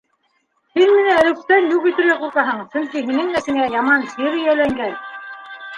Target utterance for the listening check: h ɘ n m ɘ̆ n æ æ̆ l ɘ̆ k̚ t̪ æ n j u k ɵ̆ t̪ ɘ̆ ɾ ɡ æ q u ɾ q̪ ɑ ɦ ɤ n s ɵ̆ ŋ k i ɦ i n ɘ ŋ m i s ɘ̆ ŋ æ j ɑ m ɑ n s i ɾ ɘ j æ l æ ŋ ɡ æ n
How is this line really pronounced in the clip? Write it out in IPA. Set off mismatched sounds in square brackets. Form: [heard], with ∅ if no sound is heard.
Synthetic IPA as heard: h ɘ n m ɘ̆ n æ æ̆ l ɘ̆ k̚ t̪ æ n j u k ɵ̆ t̪ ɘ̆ ɾ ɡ æ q u ɾ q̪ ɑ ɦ ɤ [ɴ] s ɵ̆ ŋ k i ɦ i n ɘ ŋ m [æ] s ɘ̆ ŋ æ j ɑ m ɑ n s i ɾ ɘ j æ l æ ŋ ɡ æ n